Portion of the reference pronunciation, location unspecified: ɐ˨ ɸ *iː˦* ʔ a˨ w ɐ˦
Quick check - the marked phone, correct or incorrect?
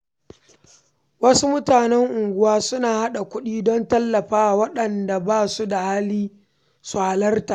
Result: incorrect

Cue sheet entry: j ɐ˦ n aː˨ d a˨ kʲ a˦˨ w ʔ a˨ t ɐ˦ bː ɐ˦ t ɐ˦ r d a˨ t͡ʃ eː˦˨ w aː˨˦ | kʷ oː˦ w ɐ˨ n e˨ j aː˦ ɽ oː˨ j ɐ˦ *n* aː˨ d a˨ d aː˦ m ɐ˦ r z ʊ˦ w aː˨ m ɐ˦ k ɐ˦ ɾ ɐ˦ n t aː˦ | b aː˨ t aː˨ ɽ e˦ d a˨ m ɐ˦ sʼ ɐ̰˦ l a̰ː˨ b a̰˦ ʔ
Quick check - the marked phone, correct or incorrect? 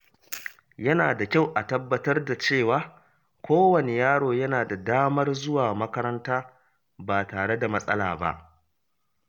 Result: correct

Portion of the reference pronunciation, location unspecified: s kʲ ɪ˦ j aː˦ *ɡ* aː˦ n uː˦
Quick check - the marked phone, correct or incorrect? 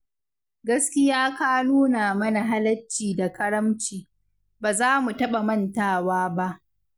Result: incorrect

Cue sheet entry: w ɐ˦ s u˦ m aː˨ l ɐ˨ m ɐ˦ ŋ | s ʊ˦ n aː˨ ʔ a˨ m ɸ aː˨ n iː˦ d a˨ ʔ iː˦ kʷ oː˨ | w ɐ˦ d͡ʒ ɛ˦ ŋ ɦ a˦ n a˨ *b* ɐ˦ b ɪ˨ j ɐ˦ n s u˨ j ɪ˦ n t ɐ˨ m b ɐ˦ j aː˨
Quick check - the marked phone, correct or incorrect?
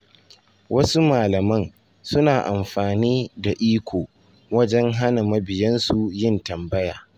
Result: incorrect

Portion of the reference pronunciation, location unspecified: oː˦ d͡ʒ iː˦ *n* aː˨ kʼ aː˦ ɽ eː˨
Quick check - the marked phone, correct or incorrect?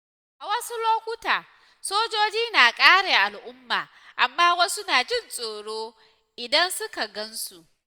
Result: correct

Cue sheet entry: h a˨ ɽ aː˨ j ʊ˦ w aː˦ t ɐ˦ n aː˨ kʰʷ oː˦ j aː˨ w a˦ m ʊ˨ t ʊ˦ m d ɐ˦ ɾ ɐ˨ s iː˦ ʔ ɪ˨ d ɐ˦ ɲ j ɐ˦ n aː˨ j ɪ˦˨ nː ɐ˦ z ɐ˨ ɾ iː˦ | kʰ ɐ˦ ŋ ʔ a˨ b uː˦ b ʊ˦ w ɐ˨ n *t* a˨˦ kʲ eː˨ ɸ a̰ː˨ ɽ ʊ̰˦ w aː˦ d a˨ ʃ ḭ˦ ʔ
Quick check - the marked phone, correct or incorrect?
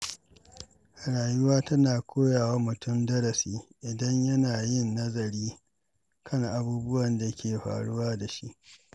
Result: incorrect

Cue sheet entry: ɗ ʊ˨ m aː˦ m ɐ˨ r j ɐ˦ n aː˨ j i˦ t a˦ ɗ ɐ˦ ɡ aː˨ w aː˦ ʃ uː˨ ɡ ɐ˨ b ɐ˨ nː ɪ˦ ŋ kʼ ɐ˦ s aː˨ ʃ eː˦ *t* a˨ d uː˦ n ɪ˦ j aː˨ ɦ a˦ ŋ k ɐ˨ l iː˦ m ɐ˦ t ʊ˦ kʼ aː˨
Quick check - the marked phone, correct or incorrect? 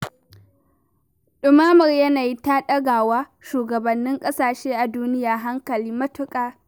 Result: incorrect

